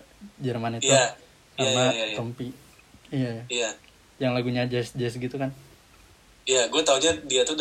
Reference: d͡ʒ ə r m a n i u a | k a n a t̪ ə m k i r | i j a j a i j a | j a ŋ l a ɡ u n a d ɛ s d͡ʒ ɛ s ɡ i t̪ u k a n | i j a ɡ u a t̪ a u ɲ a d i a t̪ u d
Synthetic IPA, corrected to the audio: d͡ʒ ə r m a n i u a | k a n a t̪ ə m p i | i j a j a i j a | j a ŋ l a ɡ u ɲ a d͡ʒ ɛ s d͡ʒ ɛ s ɡ i t̪ u k a n | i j a ɡ u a t̪ a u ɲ a d i a t̪ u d